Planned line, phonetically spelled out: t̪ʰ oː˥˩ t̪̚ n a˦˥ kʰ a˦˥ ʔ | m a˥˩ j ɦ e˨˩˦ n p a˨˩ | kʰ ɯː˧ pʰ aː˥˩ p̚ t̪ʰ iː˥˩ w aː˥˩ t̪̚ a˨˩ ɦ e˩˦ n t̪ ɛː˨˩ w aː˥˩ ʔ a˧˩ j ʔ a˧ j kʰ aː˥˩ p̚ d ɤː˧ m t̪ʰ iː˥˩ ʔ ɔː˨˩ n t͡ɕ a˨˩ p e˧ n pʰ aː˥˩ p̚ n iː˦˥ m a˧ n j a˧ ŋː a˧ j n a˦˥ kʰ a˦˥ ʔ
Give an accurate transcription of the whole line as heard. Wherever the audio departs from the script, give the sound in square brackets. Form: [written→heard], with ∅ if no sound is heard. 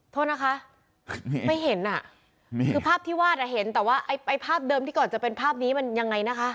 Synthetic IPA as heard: t̪ʰ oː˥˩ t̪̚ n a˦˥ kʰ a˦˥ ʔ | m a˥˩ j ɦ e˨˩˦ n [p→ʔ] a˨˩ | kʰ ɯː˧ pʰ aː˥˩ p̚ t̪ʰ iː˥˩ w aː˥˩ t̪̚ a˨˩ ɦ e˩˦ n t̪ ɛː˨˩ w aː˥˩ ʔ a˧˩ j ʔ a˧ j [kʰ→pʰ] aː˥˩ p̚ d ɤː˧ m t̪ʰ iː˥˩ [ʔ→k] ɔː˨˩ n t͡ɕ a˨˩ p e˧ n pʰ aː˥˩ p̚ n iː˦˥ m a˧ n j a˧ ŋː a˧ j n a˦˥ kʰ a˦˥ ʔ